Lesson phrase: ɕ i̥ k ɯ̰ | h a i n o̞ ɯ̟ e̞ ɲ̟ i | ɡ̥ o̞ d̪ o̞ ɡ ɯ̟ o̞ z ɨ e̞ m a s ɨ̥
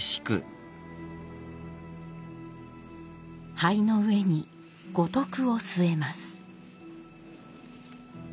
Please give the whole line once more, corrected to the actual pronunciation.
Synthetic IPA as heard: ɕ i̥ k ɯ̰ | h a i n o̞ ɯ̟ e̞ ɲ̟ i | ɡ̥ o̞ t̪ o̞ k ɯ̟ o̞ s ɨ e̞ m a s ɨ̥

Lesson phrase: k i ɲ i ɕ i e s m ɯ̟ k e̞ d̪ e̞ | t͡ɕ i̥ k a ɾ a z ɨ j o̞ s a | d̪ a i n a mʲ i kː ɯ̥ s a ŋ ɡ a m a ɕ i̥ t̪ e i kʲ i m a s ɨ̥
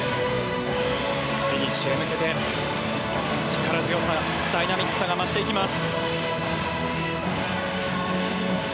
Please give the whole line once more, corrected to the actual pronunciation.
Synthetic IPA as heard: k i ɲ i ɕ i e m ɯ̟ k e̞ t̪ e̞ | t͡ɕ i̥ k a ɾ a z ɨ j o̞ s a | d̪ a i n a mʲ i kː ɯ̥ s a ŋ ɡ a m a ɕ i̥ t̪ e i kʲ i m a s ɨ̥

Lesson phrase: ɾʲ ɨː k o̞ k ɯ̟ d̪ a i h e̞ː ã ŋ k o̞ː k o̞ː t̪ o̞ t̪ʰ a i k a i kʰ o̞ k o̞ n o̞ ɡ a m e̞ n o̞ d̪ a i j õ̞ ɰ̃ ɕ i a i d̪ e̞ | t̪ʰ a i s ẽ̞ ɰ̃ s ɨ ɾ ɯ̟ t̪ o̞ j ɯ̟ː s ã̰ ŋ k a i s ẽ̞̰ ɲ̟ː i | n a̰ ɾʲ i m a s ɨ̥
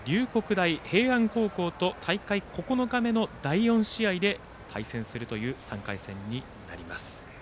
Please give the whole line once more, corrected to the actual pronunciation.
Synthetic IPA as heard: ɾʲ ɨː k o̞ k ɯ̟ d̪ a i h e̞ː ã ŋ k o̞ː k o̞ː t̪ o̞ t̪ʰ a i k a i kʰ o̞ k o̞ n o̞ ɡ a m e̞ n o̞ d̪ a i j õ̞ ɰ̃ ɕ i a i d̪ e̞ | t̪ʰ a i s ẽ̞ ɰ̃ s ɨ ɾ ɯ̟ t̪ o̞ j ɯ̟ː s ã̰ ŋ k a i s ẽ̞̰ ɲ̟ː i | n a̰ ɾʲ i m a s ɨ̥

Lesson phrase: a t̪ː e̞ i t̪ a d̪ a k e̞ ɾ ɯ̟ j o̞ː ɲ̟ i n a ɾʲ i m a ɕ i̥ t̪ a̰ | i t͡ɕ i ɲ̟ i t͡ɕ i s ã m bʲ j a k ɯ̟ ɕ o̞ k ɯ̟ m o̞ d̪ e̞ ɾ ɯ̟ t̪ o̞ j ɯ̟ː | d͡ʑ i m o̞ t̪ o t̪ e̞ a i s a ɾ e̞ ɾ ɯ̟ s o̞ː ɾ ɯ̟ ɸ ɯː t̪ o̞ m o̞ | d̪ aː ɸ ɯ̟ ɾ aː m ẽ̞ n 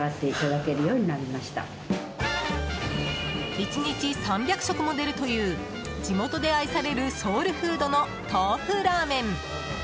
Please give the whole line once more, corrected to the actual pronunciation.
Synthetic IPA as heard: a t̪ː e̞ i t̪ a d̪ a k e̞ ɾ ɯ̟ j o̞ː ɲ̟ i n a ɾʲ i m a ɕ i̥ t̪ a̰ | i t͡ɕ i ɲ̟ i t͡ɕ i s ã m bʲ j a k ɯ̟ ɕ o̞ k ɯ̟ m o̞ d̪ e̞ ɾ ɯ̟ t̪ o̞ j ɯ̟ː | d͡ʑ i m o̞ t̪ o d̪ e̞ a i s a ɾ e̞ ɾ ɯ̟ s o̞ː ɾ ɯ̟ ɸ ɯː d̪ o̞ n o̞ | t̪ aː ɸ ɯ̟ ɾ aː m ẽ̞ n

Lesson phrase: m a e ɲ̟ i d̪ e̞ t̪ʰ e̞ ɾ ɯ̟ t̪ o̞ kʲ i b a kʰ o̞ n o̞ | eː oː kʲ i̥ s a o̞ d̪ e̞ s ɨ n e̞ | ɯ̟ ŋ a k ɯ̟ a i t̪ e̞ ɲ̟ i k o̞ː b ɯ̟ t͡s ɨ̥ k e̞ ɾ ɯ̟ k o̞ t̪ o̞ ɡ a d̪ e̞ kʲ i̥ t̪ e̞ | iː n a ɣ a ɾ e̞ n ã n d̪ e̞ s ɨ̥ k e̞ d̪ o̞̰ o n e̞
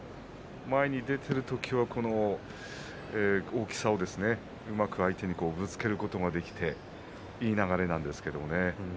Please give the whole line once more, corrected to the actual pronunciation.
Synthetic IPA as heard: m a e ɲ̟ i d̪ e̞ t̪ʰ e̞ ɾ ɯ̟ t̪ o̞ kʲ i β a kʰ o̞ n o̞ | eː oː kʲ i̥ s a o̞ d̪ e̞ s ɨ n e̞ | ɯ̟ m a k ɯ̟ a i t̪ e̞ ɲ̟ i k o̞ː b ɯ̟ t͡s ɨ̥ k e̞ ɾ ɯ̟ k o̞ t̪ o̞ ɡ a d̪ e̞ kʲ i̥ t̪ e̞ | iː n a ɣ a ɾ e̞ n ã n d̪ e̞ s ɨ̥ k e̞ d̪ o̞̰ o n e̞

